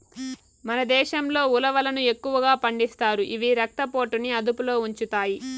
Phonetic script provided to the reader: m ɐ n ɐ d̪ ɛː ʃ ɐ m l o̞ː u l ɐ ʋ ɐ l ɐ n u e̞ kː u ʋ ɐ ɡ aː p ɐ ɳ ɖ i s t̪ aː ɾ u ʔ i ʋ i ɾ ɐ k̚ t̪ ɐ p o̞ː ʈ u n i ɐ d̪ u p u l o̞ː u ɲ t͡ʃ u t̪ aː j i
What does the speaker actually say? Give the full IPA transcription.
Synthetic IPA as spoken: m ɐ n ɐ d̪ ɛː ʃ ɐ m l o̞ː u l ɐ ʋ ɐ l ɐ n u e̞ kː u ʋ ɐ ɡ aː p ɐ ɳ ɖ i s t̪ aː ɾ u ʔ i ʋ i ɾ ɐ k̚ t̪ ɐ p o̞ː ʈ u n i ɐ d̪ u p u l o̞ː u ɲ t͡ʃ u t̪ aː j i